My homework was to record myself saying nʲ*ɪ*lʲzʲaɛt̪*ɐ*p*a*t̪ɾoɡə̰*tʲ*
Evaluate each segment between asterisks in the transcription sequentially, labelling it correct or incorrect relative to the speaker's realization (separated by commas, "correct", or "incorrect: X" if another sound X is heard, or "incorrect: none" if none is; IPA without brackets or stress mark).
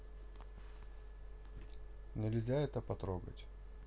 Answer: correct, incorrect: ə, incorrect: ɐ, correct